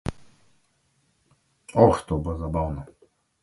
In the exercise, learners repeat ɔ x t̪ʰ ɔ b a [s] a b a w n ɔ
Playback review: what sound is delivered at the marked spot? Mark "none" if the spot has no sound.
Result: z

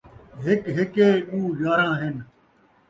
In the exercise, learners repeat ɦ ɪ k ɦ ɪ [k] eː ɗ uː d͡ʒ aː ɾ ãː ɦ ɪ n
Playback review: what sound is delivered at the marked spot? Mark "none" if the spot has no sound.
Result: k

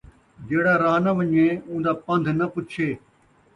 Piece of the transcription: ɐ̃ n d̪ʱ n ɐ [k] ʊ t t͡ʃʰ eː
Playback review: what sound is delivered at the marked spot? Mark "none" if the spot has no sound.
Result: p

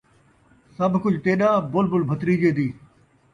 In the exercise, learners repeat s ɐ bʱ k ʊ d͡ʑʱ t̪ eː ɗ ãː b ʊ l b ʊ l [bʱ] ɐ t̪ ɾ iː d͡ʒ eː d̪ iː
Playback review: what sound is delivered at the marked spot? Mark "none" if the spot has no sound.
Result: bʱ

